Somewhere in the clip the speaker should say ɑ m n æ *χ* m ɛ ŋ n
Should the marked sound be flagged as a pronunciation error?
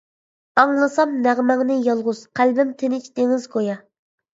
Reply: yes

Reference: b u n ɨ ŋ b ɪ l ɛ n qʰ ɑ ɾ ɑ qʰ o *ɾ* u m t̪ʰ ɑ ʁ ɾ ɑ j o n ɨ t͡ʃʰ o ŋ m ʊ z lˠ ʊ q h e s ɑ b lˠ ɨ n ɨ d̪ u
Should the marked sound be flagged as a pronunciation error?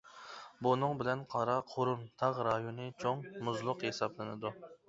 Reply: no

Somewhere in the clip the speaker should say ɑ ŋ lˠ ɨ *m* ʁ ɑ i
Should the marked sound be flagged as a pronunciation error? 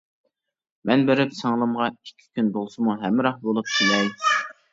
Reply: no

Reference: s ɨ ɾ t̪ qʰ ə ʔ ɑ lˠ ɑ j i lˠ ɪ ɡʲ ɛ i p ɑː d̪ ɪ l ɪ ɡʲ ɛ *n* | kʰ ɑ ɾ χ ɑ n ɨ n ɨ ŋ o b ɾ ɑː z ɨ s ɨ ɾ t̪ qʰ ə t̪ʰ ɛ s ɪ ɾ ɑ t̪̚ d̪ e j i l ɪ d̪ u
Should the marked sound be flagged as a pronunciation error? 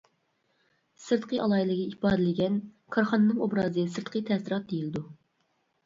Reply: no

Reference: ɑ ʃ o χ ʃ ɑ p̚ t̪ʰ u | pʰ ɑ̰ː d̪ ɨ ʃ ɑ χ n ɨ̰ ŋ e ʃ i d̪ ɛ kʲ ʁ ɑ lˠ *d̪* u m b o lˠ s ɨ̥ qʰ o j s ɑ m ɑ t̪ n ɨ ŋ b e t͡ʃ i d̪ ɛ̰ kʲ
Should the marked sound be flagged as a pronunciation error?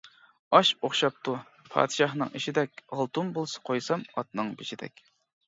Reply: yes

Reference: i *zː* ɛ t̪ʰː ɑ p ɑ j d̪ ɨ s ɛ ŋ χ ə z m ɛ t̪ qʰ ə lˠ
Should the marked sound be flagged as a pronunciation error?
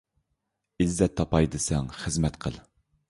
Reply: no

